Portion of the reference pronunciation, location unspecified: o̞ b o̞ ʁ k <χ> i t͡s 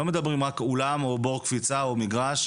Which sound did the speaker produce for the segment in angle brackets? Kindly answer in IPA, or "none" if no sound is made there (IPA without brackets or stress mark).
f